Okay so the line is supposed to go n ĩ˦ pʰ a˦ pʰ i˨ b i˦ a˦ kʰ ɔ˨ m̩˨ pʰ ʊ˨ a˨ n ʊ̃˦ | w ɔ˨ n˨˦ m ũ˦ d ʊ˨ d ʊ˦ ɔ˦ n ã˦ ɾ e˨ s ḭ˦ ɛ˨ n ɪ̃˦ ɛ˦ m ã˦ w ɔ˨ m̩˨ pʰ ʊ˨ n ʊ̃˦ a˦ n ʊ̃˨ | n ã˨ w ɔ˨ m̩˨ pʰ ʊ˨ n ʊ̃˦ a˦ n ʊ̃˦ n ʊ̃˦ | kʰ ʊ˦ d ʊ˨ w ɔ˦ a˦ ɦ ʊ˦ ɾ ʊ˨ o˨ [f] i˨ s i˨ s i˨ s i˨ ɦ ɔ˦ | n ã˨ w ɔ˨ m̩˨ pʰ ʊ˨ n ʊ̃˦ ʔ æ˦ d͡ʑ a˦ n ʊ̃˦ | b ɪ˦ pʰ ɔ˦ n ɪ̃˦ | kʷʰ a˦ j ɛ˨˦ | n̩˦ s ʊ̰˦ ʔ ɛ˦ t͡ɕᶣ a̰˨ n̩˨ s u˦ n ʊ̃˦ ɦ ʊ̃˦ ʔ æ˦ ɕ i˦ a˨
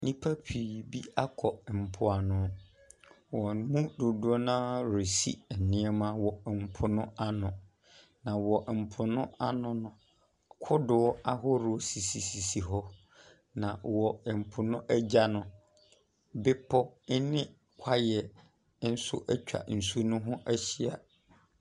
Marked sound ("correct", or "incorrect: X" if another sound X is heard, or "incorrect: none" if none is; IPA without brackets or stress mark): incorrect: s